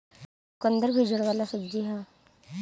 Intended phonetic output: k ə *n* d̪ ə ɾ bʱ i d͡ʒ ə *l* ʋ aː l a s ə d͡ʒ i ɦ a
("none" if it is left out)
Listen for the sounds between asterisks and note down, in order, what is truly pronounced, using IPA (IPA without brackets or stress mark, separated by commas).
n, ɽ